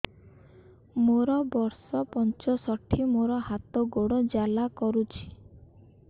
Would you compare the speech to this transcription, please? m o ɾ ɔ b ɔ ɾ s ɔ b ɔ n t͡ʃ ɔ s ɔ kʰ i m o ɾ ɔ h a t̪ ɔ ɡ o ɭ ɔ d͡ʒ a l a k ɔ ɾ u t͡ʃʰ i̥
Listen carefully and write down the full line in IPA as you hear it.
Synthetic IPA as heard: m o ɾ ɔ b ɔ ɾ s ɔ p ɔ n t͡ʃ ɔ s ɔ ʈʰ i m o ɾ ɔ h a t̪ ɔ ɡ o ɽ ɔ d͡ʒ a l a k ɔ ɾ u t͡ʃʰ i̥